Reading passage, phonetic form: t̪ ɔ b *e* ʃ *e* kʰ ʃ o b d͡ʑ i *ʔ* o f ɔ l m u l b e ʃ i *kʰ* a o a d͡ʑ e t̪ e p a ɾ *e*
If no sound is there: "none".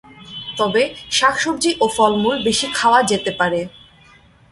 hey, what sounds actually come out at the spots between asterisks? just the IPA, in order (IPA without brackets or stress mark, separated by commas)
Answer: e, a, ʔ, kʰ, e